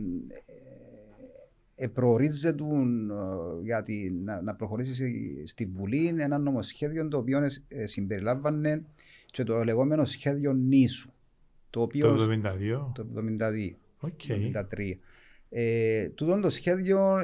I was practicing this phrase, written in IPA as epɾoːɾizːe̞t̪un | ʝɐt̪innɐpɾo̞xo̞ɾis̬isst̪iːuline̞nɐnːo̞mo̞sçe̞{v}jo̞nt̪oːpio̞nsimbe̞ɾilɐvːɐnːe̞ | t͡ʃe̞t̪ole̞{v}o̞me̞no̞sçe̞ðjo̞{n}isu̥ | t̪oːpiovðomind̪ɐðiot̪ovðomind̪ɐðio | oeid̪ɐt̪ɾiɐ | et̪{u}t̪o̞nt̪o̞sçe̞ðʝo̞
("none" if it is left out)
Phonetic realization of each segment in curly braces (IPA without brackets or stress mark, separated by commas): ð, ɣ, nː, u